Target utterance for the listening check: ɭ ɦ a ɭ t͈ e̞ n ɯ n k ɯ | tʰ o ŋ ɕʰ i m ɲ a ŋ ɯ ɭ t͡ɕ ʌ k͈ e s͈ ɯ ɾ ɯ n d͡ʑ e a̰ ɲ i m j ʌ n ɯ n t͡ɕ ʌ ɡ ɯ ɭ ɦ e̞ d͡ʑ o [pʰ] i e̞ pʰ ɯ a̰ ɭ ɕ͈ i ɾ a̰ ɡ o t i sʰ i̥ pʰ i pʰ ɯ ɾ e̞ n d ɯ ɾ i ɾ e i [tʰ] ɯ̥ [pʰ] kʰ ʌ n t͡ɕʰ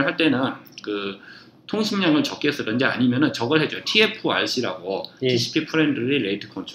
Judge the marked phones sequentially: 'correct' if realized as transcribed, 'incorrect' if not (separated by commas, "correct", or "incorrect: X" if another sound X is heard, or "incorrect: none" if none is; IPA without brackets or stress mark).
incorrect: tʰ, correct, incorrect: none